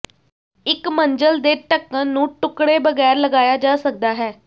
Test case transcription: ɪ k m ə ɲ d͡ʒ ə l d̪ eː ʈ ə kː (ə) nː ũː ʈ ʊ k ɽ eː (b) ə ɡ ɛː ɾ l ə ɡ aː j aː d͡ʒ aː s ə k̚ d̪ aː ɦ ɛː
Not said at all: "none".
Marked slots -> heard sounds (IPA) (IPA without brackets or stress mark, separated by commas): ə, b